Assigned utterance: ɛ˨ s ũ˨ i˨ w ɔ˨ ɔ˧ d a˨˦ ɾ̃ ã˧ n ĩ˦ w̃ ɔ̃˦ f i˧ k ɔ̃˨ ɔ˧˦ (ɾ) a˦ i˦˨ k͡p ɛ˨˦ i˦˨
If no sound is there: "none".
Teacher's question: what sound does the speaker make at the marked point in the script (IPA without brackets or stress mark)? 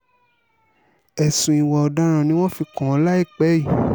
l